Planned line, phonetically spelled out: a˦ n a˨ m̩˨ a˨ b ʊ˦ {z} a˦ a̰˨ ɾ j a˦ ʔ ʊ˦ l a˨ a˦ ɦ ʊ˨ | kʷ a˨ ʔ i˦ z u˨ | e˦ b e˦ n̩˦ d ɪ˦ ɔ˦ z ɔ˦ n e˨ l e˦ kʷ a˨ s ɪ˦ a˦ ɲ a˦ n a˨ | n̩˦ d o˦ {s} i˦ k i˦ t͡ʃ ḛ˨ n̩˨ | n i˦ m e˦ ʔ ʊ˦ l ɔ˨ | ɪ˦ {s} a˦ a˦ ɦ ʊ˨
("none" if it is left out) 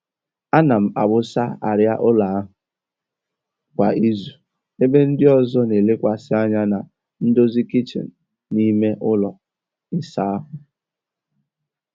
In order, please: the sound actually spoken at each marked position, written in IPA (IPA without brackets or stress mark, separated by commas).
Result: s, z, s